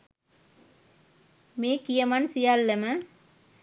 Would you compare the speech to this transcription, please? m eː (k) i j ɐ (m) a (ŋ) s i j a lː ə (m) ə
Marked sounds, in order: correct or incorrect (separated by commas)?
correct, correct, incorrect, correct